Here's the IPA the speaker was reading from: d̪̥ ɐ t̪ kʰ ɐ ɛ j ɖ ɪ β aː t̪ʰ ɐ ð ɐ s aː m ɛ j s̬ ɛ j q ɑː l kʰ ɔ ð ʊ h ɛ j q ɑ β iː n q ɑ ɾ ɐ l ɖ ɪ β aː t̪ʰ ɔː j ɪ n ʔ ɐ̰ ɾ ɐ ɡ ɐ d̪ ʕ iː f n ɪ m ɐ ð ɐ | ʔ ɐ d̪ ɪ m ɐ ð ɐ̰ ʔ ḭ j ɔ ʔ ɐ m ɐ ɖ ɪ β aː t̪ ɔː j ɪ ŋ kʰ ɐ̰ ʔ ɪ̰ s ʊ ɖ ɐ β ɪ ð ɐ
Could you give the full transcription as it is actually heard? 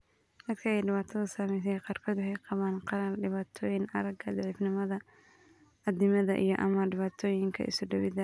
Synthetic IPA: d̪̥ ɐ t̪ kʰ ɐ ɛ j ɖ ɪ β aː t̪ʰ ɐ ð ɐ s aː m ɛ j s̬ ɛ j q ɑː r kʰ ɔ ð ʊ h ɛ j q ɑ β aː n q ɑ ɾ ɐ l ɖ ɪ β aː t̪ʰ ɔː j ɪ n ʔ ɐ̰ ɾ ɐ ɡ ɐ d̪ ʕ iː f n ɪ m ɐ ð ɐ | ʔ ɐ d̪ ɪ m ɐ ð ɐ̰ ʔ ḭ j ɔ ʔ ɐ m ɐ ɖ ɪ β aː t̪ʰ ɔː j ɪ ŋ kʰ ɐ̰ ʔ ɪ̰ s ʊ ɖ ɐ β ɪ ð ɐ

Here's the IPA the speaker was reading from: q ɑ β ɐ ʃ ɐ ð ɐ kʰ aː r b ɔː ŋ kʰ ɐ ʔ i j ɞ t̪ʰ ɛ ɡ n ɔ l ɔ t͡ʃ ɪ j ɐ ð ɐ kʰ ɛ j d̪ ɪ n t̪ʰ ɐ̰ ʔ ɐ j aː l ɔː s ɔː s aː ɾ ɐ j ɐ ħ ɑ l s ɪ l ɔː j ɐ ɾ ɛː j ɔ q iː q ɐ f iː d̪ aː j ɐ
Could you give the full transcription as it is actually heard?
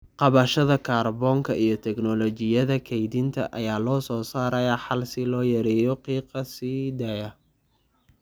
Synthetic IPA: q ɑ β ɐ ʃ ɐ ð ɐ kʰ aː r b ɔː ŋ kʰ ɐ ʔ i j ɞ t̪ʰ ɛ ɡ n ɔ l ɔ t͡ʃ ɪ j ɐ ð ɐ kʰ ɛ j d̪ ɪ n t̪ʰ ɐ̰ ʔ ɐ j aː l ɔː s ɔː s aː ɾ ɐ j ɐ ħ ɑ l s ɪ l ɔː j ɐ ɾ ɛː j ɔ q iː q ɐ s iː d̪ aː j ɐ

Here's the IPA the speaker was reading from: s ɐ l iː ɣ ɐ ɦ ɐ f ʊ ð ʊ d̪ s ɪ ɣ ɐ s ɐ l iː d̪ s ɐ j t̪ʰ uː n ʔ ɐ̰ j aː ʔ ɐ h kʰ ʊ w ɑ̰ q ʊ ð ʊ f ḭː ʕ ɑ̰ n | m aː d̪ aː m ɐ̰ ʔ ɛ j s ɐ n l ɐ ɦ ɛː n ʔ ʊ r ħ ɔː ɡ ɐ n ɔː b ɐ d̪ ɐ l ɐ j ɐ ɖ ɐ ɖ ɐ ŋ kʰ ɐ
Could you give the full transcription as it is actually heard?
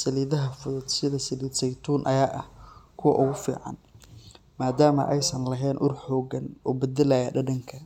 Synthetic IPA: s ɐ l iː ð ɐ ɦ ɐ f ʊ ð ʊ d̪ s ɪ ð ɐ s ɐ l iː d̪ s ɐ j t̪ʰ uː n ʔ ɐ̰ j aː ʔ ɐ h kʰ ʊ w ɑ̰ ʔ ʊ ɣ ʊ f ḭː ʕ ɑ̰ n | m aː d̪ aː m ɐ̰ ʔ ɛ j s ɐ n l ɐ ɦ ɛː n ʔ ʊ r ħ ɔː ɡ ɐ n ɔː b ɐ d̪ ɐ l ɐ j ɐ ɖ ɐ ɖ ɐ ŋ kʰ ɐ

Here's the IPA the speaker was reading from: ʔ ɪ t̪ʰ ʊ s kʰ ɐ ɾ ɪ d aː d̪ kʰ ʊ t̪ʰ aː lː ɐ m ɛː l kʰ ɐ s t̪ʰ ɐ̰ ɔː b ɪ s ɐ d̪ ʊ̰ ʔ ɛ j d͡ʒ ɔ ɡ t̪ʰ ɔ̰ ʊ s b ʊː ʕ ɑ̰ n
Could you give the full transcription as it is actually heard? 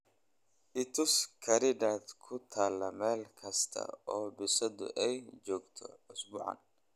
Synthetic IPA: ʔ ɪ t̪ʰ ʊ s kʰ ɐ ɾ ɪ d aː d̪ kʰ ʊ t̪ʰ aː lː ɐ m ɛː l kʰ ɐ s t̪ʰ ɐ̰ ɔː b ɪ s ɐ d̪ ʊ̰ ʔ ɛ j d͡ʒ ɔː ɡ t̪ʰ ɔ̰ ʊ s b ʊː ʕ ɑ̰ n

